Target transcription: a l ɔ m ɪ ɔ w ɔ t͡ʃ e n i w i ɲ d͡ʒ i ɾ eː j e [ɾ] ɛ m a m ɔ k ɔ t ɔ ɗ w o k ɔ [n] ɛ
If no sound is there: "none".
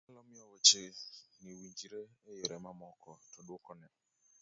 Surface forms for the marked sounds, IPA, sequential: ɾ, n

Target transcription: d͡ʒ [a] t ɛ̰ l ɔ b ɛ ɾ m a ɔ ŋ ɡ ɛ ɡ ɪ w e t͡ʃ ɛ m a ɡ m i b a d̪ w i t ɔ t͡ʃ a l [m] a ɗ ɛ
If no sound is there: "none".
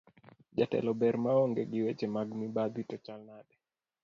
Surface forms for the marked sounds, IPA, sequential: a, n

